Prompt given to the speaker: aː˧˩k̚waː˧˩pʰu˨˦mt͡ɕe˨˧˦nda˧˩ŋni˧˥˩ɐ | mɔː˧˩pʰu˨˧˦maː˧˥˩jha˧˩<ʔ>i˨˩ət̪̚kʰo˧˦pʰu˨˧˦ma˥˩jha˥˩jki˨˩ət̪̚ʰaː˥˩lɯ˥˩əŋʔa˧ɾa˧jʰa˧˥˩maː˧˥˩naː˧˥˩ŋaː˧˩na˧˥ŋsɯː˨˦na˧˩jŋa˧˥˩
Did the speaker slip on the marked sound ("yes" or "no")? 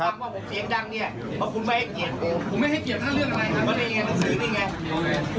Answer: yes